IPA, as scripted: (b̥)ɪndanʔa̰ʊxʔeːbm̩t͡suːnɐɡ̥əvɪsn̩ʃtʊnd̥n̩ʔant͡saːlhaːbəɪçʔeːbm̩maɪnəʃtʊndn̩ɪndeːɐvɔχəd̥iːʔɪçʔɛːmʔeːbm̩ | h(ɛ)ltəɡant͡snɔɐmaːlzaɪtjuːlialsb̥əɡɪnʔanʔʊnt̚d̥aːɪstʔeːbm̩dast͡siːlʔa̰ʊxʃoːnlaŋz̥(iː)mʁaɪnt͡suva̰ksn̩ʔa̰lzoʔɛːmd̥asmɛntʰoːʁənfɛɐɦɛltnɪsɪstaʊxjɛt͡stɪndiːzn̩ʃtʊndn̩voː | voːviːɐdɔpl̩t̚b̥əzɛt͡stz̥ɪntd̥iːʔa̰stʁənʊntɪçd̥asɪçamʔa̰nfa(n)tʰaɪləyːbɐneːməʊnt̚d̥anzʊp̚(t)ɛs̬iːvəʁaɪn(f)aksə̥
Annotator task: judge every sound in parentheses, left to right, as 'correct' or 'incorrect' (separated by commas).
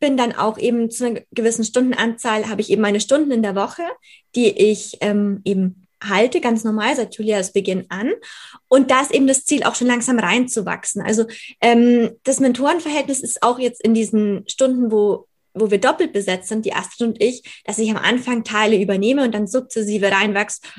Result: correct, incorrect, incorrect, incorrect, incorrect, incorrect